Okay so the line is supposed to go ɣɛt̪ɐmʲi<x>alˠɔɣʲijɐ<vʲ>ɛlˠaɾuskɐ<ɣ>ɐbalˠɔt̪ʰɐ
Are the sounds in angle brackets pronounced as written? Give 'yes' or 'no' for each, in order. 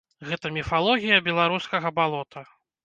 no, no, yes

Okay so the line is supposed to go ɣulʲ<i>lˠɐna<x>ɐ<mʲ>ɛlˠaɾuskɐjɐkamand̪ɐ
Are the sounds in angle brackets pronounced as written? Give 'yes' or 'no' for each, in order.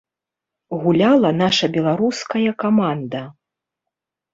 no, no, no

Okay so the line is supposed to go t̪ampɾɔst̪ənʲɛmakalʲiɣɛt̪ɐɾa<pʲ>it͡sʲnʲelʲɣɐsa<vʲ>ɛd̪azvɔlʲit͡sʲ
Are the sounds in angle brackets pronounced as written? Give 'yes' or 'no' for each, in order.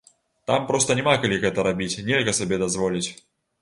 no, no

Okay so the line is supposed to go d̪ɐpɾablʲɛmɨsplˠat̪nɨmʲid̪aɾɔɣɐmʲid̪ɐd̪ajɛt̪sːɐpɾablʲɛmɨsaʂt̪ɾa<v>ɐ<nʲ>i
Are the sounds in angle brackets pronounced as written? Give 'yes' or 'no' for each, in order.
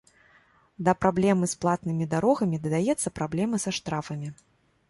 no, no

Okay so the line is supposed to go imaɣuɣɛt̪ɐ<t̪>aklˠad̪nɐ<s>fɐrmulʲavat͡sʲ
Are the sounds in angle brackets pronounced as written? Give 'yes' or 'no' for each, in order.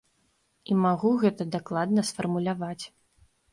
no, yes

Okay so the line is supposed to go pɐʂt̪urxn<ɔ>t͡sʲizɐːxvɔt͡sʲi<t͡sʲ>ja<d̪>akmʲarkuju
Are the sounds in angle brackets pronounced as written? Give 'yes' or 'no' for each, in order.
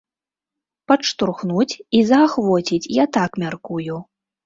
no, yes, no

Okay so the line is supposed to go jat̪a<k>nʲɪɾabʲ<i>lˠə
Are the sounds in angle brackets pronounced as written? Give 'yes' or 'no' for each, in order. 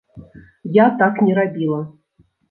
yes, yes

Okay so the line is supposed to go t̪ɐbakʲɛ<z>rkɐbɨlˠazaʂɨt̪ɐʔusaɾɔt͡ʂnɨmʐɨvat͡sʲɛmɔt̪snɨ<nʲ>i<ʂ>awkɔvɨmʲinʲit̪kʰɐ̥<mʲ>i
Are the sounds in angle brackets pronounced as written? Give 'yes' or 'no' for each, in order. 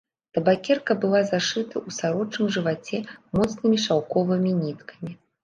no, no, yes, yes

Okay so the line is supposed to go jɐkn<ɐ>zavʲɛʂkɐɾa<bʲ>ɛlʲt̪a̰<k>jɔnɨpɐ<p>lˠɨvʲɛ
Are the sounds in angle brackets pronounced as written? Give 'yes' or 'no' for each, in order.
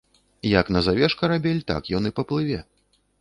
yes, yes, yes, yes

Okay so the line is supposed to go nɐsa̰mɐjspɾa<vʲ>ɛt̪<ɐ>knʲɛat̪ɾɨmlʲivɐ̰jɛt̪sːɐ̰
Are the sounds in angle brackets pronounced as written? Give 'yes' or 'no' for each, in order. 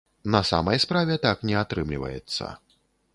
yes, no

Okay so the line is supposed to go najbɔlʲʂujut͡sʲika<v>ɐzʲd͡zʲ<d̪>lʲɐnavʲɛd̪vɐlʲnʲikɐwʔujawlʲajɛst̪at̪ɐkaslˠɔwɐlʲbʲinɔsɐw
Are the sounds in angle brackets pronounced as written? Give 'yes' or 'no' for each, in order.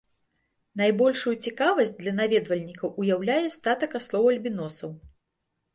yes, yes

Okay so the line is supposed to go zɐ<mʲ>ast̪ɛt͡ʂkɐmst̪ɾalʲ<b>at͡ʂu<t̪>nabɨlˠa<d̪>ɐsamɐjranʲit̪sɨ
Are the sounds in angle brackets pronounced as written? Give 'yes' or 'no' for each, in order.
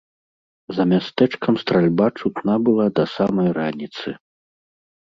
yes, yes, yes, yes

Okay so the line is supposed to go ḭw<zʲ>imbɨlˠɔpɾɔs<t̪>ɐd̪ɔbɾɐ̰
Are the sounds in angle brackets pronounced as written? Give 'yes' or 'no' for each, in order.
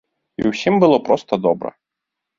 no, yes

